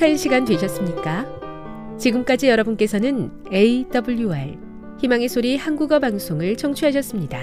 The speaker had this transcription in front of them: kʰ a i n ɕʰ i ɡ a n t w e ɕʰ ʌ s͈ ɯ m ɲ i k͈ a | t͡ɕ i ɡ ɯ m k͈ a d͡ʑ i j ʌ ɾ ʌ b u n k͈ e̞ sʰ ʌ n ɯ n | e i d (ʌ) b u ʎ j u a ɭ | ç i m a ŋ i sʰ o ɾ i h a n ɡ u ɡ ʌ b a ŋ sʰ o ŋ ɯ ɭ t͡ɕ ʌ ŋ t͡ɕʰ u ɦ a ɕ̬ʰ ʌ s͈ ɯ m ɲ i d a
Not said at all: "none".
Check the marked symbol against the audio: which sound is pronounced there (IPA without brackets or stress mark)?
ʌ